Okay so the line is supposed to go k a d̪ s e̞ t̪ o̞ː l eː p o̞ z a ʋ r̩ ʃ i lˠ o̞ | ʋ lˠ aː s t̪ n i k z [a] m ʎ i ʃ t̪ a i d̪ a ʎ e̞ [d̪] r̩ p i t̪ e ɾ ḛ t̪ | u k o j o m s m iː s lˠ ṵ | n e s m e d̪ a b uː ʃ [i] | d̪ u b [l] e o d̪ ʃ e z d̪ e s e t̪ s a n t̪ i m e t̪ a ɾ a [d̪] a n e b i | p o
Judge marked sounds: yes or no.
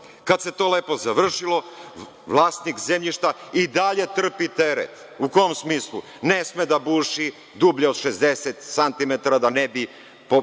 no, no, yes, no, yes

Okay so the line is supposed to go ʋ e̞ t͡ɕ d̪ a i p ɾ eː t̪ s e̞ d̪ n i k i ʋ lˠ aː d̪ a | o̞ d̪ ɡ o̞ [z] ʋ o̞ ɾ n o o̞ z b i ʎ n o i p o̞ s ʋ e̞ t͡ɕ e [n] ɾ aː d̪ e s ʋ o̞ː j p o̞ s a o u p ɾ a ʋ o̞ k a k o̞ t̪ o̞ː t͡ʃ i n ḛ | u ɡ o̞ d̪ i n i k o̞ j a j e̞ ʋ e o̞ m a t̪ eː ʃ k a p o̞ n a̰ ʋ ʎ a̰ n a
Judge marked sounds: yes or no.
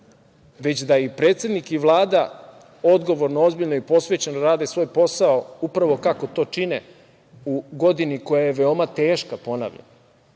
no, yes

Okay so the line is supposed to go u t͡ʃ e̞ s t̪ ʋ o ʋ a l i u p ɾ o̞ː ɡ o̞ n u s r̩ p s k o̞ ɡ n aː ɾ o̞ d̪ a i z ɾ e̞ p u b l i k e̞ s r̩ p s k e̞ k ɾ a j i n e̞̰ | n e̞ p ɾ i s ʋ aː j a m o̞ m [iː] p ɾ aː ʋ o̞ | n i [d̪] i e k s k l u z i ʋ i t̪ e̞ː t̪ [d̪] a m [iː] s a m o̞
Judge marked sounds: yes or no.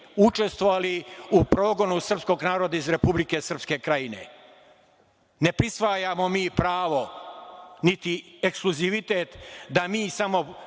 yes, no, yes, yes

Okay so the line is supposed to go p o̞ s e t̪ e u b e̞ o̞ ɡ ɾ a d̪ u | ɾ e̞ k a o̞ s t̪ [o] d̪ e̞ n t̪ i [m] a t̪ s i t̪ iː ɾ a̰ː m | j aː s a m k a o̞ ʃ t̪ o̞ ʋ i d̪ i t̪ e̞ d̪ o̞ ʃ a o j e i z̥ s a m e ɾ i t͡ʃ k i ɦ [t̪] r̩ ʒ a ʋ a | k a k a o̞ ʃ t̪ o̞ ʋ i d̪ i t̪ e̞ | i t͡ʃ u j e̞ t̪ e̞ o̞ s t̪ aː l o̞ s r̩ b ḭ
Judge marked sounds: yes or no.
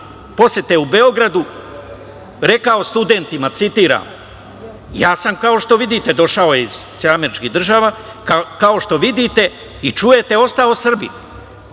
no, yes, no

